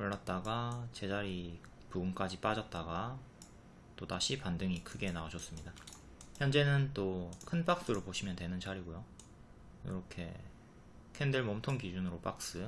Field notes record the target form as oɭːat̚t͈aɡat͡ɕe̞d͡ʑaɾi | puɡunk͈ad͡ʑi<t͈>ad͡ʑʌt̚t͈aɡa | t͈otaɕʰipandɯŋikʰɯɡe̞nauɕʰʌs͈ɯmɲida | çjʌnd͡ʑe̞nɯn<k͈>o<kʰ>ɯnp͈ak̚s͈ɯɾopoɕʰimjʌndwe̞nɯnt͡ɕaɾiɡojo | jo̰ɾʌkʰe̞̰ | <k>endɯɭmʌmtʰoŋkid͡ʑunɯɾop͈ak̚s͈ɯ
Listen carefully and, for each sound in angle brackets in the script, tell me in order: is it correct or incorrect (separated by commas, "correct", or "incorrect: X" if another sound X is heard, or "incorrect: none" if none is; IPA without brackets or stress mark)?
incorrect: p͈, incorrect: t͈, correct, incorrect: kʰ